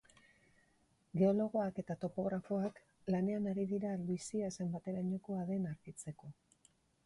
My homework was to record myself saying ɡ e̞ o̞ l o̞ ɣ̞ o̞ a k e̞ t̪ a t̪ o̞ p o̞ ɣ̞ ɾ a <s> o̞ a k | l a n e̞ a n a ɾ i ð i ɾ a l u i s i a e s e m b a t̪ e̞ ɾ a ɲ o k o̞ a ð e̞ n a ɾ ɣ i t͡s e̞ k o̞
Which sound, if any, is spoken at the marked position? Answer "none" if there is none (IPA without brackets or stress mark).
f